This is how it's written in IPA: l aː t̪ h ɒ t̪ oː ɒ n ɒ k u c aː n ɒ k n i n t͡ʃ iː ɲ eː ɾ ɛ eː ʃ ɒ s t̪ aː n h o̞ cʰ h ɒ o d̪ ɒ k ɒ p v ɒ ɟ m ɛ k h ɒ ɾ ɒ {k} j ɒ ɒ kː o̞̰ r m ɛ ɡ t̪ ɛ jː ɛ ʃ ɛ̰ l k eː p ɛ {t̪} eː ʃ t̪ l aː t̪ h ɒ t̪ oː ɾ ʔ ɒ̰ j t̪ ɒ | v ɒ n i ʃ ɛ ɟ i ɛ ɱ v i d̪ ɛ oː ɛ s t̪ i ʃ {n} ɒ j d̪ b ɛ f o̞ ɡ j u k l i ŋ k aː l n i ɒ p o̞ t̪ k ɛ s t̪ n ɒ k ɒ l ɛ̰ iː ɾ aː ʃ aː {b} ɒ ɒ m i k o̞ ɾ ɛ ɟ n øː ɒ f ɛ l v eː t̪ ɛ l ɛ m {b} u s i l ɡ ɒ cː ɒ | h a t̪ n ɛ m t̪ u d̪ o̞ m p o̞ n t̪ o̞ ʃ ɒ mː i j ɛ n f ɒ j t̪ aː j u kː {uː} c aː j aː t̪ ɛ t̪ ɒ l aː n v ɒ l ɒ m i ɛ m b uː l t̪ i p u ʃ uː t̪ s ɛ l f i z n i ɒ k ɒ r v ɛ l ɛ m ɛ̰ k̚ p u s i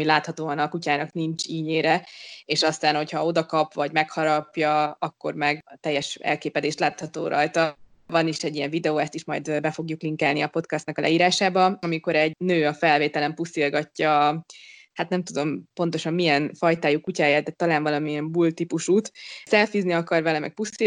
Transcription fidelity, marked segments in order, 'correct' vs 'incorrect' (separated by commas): incorrect, incorrect, incorrect, correct, incorrect, incorrect